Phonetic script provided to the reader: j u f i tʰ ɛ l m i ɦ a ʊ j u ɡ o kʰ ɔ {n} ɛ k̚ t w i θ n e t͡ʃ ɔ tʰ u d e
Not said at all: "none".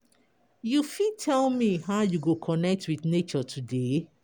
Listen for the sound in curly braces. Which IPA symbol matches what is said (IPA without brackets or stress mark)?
n